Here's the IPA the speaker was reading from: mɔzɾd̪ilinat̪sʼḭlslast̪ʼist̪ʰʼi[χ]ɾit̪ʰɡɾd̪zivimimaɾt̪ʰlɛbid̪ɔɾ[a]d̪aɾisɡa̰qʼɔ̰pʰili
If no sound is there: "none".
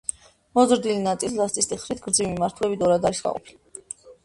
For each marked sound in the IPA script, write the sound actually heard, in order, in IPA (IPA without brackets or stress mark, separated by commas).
χ, a